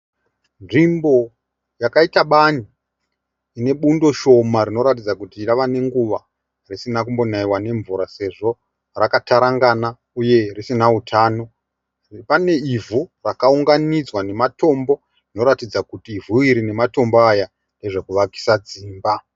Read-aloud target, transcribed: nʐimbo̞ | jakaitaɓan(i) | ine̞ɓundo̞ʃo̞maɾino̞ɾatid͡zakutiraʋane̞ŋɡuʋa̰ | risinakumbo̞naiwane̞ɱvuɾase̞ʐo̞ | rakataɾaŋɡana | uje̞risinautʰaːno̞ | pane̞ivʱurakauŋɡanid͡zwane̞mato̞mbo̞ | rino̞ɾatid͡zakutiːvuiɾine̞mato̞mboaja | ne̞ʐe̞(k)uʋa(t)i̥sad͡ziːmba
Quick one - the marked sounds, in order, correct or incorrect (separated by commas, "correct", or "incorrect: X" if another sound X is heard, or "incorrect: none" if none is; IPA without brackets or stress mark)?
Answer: correct, correct, incorrect: k